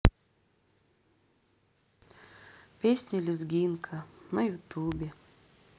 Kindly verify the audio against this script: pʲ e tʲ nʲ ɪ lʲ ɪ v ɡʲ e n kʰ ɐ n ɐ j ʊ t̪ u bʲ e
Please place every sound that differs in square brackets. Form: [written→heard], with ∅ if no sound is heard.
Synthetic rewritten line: pʲ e [tʲ→sʲ] nʲ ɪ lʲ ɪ [v→z] ɡʲ [e→i] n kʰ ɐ n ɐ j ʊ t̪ u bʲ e